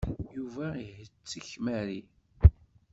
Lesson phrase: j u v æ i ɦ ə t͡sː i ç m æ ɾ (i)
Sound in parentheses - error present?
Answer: no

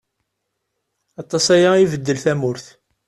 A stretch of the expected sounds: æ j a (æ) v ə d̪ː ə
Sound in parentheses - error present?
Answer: yes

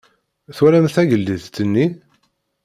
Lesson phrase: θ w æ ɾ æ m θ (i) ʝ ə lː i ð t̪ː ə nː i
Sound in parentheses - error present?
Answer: yes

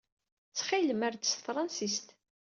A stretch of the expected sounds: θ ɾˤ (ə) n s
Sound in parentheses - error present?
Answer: yes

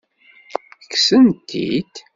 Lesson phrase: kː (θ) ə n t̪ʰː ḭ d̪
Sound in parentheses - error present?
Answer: yes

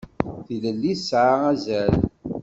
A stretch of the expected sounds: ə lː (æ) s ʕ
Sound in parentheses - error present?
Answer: yes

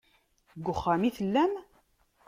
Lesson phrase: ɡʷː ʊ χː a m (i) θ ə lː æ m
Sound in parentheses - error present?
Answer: no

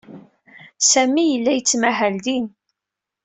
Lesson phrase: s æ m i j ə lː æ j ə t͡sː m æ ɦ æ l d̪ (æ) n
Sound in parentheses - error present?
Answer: yes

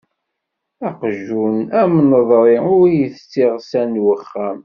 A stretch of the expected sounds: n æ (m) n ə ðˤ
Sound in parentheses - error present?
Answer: no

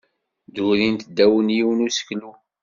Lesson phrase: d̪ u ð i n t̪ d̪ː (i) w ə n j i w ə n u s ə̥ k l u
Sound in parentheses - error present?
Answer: yes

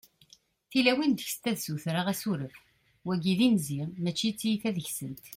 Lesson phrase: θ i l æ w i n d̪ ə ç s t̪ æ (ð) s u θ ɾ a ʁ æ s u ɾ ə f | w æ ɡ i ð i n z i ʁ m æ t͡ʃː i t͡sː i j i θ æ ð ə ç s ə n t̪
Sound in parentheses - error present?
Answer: no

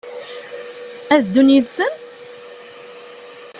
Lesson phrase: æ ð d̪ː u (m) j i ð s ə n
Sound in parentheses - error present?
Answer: yes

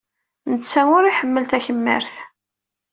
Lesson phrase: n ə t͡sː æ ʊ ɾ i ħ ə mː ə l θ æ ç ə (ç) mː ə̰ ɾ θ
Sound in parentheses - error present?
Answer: yes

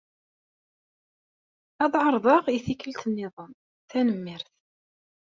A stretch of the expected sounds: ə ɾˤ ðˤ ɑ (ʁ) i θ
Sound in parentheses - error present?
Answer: no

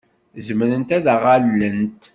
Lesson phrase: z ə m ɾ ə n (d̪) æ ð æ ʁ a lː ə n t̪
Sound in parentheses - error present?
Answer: yes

